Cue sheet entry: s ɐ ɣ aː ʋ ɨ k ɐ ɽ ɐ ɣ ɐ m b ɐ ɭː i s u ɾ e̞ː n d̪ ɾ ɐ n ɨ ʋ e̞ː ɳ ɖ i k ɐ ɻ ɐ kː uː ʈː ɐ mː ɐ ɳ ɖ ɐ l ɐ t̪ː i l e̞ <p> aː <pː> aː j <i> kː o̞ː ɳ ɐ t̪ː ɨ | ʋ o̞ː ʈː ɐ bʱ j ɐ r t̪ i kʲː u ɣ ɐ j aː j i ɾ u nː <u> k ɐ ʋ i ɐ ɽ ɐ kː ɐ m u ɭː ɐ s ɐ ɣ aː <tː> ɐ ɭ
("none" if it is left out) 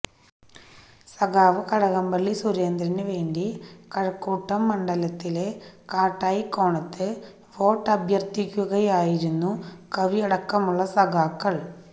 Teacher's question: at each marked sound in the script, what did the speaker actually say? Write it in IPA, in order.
k, ʈː, i, u, kː

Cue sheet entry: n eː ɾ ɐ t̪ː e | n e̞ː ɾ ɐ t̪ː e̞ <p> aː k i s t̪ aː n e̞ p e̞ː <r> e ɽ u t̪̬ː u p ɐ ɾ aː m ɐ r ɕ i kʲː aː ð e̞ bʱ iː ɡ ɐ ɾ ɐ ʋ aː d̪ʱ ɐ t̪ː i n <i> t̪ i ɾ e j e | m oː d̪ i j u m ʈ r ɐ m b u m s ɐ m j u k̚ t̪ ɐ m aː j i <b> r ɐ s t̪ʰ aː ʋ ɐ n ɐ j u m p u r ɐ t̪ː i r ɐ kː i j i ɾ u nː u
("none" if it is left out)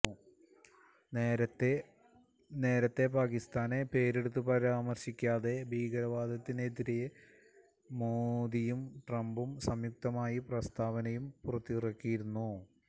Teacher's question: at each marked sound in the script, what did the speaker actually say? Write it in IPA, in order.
p, ɾ, e, p

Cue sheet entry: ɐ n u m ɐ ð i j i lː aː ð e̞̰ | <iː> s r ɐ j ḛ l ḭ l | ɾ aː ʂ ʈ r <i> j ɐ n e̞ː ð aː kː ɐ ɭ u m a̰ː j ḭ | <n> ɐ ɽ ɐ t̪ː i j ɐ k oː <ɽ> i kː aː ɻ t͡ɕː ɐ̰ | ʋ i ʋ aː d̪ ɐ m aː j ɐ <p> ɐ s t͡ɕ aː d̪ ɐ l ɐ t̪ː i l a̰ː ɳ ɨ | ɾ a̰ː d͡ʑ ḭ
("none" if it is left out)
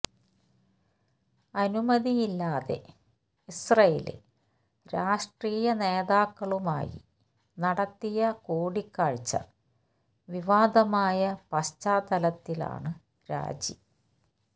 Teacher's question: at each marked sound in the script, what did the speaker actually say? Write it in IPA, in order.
i, iː, n, ɽ, p

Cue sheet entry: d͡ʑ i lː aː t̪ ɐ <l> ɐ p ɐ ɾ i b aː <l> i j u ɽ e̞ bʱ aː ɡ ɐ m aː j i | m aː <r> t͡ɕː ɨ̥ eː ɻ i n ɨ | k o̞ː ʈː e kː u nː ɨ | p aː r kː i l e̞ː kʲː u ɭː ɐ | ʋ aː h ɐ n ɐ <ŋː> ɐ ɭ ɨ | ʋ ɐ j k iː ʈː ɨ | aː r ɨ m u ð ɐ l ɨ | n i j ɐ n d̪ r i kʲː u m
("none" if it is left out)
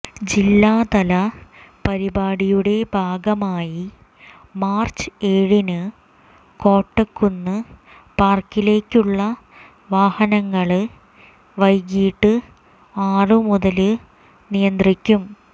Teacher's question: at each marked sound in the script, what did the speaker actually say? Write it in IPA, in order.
l, ɽ, r, ŋː

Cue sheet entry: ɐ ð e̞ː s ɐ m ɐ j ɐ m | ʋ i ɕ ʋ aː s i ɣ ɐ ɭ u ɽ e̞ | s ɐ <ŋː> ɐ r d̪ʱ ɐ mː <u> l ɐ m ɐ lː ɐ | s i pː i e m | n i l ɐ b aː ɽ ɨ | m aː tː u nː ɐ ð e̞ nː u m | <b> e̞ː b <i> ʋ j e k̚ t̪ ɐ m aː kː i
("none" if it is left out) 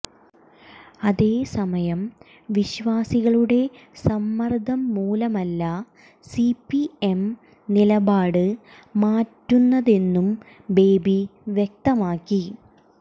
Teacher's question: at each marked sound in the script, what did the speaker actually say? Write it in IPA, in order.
mː, uː, b, i

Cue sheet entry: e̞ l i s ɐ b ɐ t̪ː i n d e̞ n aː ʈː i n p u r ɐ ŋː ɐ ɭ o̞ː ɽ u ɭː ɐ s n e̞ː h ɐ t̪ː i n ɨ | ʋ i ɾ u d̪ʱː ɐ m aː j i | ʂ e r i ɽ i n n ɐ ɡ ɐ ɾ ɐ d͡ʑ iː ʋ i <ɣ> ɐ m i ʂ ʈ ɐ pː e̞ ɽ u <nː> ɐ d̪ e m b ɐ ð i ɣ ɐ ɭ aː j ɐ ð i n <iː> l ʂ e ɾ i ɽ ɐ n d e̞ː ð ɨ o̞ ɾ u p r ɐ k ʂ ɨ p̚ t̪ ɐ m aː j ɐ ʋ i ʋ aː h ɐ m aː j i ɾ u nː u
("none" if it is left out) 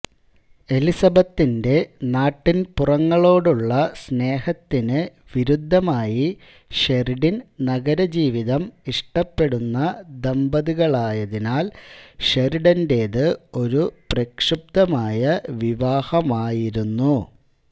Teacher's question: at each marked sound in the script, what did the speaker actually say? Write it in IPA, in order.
ð, nː, aː

